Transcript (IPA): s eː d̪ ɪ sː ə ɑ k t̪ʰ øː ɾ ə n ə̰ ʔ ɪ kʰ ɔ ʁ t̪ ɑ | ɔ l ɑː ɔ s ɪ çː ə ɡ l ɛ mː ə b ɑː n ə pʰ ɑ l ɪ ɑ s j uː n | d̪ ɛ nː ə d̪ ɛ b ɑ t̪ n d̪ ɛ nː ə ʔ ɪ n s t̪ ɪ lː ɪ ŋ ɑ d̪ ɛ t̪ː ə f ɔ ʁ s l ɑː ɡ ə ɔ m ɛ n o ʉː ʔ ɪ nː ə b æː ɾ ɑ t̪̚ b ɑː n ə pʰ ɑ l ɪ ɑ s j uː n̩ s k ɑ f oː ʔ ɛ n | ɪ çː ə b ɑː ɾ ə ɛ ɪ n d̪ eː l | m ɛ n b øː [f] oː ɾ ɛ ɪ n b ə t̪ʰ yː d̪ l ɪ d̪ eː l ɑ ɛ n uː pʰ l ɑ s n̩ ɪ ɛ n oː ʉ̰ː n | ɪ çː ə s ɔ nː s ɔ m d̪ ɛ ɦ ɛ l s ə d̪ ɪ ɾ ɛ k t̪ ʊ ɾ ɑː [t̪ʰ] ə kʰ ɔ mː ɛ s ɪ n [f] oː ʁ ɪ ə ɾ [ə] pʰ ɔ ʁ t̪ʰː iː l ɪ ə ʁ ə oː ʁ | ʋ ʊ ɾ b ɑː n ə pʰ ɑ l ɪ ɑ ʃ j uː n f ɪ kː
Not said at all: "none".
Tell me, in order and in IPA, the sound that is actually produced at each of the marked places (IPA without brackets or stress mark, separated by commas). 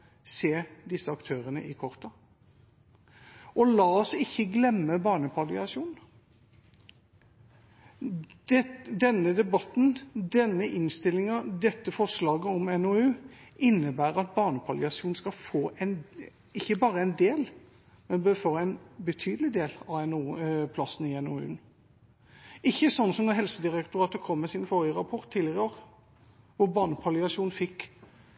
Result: f, t̪, f, ɑ